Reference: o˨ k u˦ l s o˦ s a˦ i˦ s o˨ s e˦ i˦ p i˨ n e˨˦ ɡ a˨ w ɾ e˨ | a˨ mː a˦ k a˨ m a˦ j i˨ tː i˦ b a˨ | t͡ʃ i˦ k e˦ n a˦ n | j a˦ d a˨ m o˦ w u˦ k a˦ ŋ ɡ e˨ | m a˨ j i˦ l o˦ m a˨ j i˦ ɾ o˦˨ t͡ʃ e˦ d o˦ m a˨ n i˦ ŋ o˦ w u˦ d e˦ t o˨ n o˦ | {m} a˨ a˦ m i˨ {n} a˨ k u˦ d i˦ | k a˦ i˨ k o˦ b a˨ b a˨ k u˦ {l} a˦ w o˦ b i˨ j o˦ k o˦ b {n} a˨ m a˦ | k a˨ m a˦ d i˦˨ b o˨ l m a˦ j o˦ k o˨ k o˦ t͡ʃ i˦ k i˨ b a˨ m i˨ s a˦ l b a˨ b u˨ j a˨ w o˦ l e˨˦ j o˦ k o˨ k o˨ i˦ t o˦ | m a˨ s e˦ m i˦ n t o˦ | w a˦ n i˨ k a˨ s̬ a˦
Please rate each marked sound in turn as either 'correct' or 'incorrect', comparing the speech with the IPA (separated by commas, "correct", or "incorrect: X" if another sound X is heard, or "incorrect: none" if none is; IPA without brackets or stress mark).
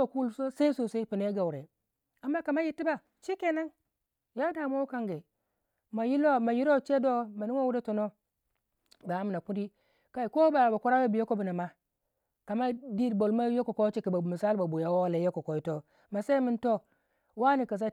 incorrect: b, correct, incorrect: ɾ, correct